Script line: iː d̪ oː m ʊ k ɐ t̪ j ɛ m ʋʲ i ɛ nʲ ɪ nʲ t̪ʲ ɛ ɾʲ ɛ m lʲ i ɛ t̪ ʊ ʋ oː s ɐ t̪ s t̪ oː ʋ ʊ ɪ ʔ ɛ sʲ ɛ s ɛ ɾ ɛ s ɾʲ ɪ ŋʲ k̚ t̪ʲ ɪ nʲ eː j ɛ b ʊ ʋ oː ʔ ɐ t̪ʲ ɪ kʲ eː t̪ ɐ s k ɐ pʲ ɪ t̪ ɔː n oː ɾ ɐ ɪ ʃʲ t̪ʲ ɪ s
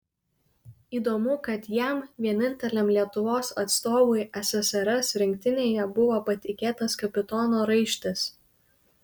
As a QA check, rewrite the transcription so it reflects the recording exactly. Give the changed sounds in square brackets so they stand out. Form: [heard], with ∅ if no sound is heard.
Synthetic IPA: iː d̪ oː m ʊ k ɐ t̪ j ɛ m ʋʲ i ɛ nʲ ɪ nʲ t̪ʲ ɛ [lʲ] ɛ m lʲ i ɛ t̪ ʊ ʋ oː s ɐ t̪ s t̪ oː ʋ ʊ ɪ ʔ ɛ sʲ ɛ s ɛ ɾ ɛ s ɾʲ ɪ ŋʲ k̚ t̪ʲ ɪ nʲ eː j ɛ b ʊ ʋ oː [p] ɐ t̪ʲ ɪ kʲ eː t̪ ɐ s k ɐ pʲ ɪ t̪ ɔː n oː ɾ ɐ ɪ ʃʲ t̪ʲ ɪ s

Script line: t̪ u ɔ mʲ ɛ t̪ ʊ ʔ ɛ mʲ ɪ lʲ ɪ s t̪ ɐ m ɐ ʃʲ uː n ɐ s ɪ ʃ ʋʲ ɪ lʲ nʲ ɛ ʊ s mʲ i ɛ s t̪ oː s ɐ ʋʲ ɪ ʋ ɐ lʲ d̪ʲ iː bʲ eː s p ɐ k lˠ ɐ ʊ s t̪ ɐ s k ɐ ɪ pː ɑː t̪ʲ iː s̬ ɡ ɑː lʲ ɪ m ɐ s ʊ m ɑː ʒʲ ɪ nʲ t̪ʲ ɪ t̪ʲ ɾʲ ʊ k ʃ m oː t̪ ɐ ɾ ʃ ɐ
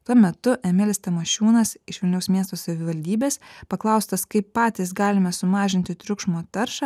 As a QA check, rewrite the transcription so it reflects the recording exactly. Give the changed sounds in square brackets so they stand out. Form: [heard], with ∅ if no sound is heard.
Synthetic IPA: t̪ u ɔ mʲ ɛ t̪ ʊ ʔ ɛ mʲ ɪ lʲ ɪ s t̪ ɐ m ɐ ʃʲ uː n ɐ s ɪ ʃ ʋʲ ɪ lʲ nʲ ɛ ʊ s mʲ i ɛ s t̪ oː s ɐ ʋʲ ɪ ʋ ɐ lʲ d̪ʲ iː bʲ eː s p ɐ k lˠ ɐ ʊ s t̪ ɐ s k ɐ ɪ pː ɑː t̪ʲ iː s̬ ɡ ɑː lʲ ɪ m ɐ s ʊ m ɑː ʒʲ ɪ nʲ t̪ʲ ɪ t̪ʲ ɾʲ ʊ k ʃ m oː t̪ ɐ ɾ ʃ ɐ

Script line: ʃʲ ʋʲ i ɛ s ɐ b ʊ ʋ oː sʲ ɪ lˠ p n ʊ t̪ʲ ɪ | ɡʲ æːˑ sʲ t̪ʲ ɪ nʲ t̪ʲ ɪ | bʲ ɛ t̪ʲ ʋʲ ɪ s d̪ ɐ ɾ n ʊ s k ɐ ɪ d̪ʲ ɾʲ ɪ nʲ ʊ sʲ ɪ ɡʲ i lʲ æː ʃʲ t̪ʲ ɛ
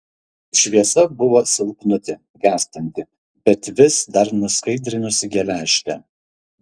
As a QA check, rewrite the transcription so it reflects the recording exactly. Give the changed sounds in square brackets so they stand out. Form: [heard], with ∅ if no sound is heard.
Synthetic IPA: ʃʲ ʋʲ i ɛ s ɐ b ʊ ʋ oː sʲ ɪ lˠ p n ʊ t̪ʲ ɪ | ɡʲ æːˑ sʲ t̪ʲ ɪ nʲ t̪ʲ ɪ | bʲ ɛ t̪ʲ ʋʲ ɪ s d̪ ɐ ɾ n ʊ s k ɐ ɪ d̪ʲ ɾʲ ɪ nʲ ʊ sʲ ɪ ɡʲ [ɛ] lʲ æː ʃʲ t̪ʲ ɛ

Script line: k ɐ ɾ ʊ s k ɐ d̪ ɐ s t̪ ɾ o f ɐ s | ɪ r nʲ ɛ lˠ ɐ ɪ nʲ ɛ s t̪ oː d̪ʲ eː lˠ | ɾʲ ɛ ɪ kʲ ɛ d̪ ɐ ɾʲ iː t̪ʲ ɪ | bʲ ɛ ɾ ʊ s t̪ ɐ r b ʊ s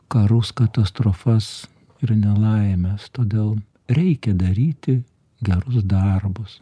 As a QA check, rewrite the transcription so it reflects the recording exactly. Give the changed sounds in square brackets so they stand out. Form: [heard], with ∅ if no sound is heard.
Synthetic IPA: k ɐ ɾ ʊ s k ɐ [t̪] ɐ s t̪ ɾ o f ɐ s | ɪ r nʲ ɛ lˠ ɐ ɪ [mʲ] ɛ s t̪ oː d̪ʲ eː lˠ | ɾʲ ɛ ɪ kʲ ɛ d̪ ɐ ɾʲ iː t̪ʲ ɪ | [ɡʲ] ɛ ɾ ʊ s [d̪] ɐ r b ʊ s

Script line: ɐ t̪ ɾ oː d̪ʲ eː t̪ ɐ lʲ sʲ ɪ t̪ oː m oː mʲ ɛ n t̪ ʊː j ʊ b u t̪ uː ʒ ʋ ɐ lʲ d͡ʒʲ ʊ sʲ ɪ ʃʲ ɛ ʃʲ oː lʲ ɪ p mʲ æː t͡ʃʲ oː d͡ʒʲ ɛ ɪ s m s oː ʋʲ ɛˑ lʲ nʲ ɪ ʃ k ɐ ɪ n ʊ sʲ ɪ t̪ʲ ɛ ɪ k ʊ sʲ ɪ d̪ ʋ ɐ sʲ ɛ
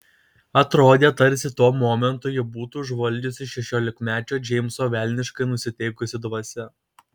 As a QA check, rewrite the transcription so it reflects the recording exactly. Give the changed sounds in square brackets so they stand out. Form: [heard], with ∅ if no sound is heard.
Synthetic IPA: ɐ t̪ ɾ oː d̪ʲ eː t̪ ɐ [ɾʲ] sʲ ɪ t̪ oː m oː mʲ ɛ n t̪ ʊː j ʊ b [uː] t̪ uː ʒ ʋ ɐ lʲ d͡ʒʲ ʊ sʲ ɪ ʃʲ ɛ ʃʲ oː lʲ ɪ [k] mʲ æː t͡ʃʲ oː d͡ʒʲ ɛ ɪ [∅] m s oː ʋʲ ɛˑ lʲ nʲ ɪ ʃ k ɐ ɪ n ʊ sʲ ɪ t̪ʲ ɛ ɪ k ʊ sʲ ɪ d̪ ʋ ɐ sʲ ɛ

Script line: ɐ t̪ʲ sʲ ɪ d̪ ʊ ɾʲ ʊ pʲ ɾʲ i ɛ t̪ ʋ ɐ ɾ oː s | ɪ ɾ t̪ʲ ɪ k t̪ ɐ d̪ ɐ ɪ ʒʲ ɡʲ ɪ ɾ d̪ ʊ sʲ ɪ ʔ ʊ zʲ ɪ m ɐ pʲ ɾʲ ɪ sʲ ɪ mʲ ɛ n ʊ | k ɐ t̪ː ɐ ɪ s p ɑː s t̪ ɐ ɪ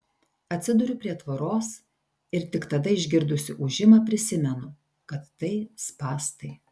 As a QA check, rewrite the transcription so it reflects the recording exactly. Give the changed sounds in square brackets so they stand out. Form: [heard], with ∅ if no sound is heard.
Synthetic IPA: ɐ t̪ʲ sʲ ɪ d̪ ʊ ɾʲ ʊ pʲ ɾʲ i ɛ t̪ ʋ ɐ ɾ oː s | ɪ ɾ t̪ʲ ɪ k t̪ ɐ d̪ ɐ ɪ ʒʲ ɡʲ ɪ ɾ d̪ ʊ sʲ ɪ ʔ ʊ [ʒʲ] ɪ m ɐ pʲ ɾʲ ɪ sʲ ɪ mʲ ɛ n ʊ | k ɐ t̪ː ɐ ɪ s p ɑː s t̪ ɐ ɪ

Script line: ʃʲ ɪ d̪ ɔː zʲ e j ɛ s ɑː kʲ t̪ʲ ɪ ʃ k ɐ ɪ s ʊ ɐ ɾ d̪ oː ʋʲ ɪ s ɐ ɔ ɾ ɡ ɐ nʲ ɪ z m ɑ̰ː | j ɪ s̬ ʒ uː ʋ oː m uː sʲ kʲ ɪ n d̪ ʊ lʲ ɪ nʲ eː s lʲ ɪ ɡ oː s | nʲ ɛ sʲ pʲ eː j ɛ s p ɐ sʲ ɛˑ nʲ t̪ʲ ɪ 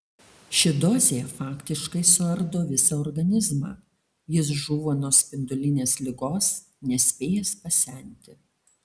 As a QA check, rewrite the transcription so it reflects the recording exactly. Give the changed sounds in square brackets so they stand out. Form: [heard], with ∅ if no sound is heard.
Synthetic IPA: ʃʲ ɪ d̪ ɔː zʲ e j ɛ [f] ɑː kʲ t̪ʲ ɪ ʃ k ɐ ɪ s ʊ ɐ ɾ d̪ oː ʋʲ ɪ s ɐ ɔ ɾ ɡ ɐ nʲ ɪ z m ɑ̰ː | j ɪ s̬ ʒ uː ʋ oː [n] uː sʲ [pʲ] ɪ n d̪ ʊ lʲ ɪ nʲ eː s lʲ ɪ ɡ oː s | nʲ ɛ sʲ pʲ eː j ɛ s p ɐ sʲ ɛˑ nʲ t̪ʲ ɪ

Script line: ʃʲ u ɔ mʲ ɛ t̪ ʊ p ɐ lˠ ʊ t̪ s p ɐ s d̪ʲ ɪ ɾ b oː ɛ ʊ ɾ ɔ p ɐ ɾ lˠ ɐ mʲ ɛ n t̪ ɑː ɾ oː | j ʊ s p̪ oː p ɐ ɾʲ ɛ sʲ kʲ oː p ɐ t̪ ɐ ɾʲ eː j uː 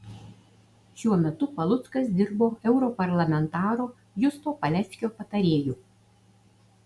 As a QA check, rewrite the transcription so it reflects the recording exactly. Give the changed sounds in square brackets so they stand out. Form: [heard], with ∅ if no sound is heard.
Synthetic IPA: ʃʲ u ɔ mʲ ɛ t̪ ʊ p ɐ lˠ ʊ t̪ s [k] ɐ s d̪ʲ ɪ ɾ b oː ɛ ʊ ɾ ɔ p ɐ ɾ lˠ ɐ mʲ ɛ n t̪ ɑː ɾ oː | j ʊ s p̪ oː p ɐ [lʲ] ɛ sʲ kʲ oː p ɐ t̪ ɐ ɾʲ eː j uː

